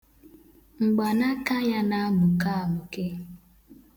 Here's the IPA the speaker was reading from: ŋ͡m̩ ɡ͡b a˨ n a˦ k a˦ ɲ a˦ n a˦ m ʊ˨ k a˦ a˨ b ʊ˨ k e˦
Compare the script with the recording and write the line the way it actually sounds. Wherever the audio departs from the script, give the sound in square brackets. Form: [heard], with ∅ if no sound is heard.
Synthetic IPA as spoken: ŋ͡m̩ ɡ͡b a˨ n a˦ k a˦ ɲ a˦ n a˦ m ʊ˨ k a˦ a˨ [m] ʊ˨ k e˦